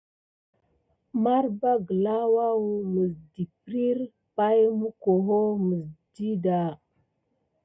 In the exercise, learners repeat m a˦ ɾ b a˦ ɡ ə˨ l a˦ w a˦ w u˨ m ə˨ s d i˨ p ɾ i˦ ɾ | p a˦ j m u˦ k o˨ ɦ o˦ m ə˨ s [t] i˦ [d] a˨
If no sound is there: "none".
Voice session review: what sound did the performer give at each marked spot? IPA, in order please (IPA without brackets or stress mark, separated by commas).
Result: d, d